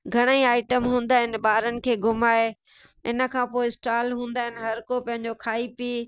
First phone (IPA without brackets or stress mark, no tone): ɡʱ